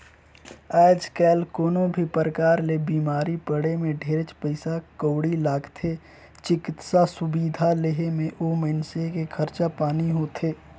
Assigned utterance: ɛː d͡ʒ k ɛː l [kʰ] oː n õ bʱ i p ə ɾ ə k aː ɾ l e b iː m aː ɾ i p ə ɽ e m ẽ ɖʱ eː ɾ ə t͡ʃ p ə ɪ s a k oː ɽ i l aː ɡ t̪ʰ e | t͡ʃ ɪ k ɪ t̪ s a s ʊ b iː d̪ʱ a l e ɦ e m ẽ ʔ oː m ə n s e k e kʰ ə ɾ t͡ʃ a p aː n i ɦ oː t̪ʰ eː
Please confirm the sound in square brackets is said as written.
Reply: no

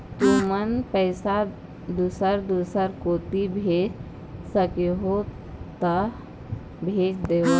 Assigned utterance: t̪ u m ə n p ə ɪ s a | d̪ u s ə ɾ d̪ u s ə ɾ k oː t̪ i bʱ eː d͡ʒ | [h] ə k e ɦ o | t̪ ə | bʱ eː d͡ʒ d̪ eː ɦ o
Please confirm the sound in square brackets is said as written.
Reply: no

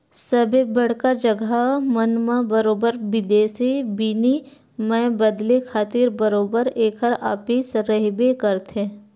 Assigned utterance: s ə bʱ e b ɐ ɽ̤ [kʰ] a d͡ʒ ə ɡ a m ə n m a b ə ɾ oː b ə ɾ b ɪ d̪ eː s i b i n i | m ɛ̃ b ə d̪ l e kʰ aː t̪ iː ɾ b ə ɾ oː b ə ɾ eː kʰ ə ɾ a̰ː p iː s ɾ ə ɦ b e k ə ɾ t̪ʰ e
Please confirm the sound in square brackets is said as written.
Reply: no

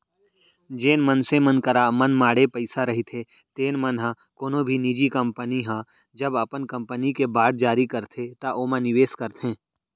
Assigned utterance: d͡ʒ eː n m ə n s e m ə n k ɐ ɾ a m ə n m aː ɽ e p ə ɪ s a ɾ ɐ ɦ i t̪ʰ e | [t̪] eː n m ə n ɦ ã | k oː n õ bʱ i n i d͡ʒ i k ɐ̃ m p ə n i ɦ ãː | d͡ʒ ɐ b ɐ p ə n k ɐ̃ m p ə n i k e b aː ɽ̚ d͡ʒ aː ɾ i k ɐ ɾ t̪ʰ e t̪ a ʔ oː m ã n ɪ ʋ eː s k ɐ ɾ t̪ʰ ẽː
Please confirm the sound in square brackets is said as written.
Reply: yes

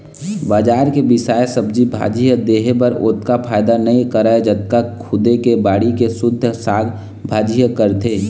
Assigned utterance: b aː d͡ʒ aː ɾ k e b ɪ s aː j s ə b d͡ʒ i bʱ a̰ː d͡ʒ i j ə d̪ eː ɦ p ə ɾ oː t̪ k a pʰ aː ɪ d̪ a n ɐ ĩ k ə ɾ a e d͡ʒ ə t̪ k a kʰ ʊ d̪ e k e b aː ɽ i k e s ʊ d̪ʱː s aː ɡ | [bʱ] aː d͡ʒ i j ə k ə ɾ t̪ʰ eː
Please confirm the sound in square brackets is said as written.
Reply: yes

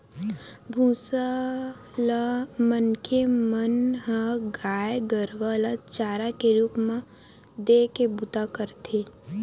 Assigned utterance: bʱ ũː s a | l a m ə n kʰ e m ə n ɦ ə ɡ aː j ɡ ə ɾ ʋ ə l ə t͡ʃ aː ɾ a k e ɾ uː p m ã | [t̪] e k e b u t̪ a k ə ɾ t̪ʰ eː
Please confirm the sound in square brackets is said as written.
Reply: no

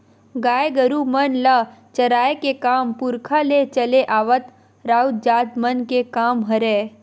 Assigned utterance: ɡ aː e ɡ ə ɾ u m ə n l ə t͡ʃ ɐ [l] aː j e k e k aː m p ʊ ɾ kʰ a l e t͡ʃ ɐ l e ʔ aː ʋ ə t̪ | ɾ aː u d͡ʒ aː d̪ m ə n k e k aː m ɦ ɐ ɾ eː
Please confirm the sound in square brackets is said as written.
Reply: no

